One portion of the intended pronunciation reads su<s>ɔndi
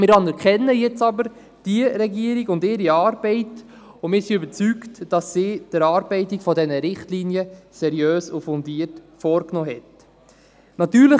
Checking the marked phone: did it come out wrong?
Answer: yes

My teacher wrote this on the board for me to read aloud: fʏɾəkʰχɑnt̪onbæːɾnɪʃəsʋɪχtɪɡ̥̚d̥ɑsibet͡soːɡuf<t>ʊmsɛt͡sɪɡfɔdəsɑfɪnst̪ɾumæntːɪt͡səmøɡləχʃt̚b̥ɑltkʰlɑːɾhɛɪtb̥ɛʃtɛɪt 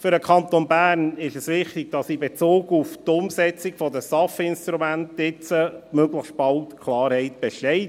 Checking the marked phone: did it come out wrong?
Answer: no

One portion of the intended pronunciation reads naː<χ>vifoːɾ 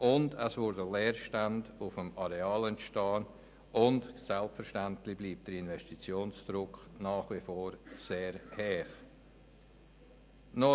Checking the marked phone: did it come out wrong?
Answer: no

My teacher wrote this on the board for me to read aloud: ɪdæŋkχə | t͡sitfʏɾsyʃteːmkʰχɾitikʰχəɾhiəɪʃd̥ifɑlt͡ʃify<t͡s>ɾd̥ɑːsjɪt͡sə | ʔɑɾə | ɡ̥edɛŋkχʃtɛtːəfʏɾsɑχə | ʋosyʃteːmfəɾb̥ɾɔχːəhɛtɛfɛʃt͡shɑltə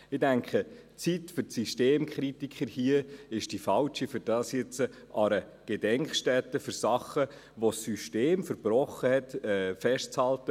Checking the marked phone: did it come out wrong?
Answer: yes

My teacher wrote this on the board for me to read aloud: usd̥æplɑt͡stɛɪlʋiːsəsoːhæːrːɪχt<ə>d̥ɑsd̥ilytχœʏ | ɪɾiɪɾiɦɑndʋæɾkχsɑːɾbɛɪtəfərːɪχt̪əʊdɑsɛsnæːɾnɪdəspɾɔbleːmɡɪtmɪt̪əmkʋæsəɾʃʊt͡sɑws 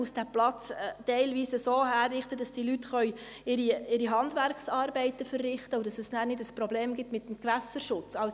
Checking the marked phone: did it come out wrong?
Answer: no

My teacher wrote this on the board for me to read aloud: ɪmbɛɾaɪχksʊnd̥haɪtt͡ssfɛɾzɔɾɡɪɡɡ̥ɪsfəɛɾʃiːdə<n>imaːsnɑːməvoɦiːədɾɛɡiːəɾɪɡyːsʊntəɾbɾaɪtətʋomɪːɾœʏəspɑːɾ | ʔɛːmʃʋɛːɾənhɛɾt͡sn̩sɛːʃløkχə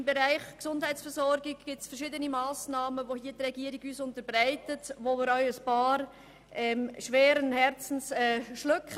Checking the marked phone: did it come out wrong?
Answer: no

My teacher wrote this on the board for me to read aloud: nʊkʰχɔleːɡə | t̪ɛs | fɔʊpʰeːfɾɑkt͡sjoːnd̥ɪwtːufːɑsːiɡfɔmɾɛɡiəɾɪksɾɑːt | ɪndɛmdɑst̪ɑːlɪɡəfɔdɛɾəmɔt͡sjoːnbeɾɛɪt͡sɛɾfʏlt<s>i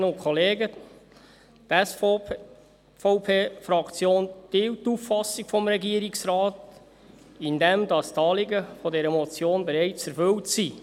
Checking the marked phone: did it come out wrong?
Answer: no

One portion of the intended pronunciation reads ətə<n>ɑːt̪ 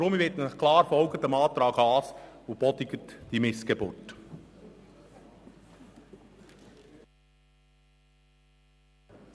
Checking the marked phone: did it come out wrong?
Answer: yes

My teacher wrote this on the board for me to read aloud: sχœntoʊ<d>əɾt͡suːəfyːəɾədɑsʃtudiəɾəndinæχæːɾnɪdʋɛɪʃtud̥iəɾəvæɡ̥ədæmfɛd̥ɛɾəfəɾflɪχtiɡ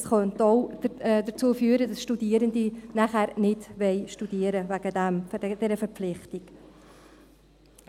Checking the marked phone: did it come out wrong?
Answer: no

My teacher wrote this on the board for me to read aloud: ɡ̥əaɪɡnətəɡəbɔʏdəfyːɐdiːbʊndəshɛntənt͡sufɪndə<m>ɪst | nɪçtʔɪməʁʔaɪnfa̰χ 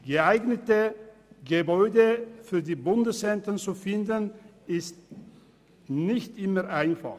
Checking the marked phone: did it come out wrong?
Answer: yes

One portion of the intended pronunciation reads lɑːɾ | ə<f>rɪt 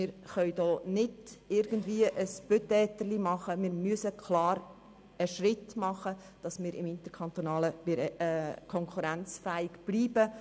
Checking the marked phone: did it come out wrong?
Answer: yes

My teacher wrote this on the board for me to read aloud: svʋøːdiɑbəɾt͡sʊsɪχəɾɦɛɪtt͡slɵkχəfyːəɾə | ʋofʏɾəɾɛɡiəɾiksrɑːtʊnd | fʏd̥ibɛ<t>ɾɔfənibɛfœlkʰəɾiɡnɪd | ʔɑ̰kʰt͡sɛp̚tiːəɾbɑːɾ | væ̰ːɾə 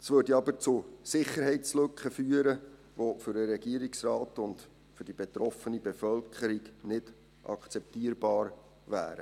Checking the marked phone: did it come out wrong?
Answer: no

